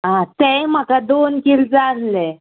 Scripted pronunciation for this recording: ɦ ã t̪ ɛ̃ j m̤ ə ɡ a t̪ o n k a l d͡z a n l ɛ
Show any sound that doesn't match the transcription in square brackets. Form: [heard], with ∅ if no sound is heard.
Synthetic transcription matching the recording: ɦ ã t̪ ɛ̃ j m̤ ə [k] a [d̪] o n k [i] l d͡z a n l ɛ